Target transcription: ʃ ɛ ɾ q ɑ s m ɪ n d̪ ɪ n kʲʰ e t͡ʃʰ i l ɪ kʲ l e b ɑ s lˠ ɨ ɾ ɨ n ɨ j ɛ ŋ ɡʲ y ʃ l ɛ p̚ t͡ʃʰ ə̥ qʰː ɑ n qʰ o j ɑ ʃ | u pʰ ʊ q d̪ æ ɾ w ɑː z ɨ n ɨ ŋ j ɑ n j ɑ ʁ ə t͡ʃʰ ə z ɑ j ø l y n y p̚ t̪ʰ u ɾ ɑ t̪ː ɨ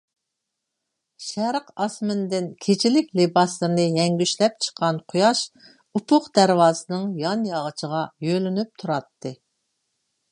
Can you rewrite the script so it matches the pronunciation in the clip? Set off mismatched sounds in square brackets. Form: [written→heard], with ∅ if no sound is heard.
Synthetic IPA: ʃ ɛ ɾ q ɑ s m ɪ n d̪ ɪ n kʲʰ e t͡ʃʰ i l ɪ kʲ l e b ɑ s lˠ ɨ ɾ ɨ n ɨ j ɛ ŋ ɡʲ y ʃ l ɛ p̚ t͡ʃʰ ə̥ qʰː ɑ n qʰ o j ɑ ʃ | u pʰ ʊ q d̪ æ ɾ w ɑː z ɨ n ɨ ŋ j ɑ n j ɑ ʁ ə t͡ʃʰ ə [z→ʁ] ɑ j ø l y n y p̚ t̪ʰ u ɾ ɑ t̪ː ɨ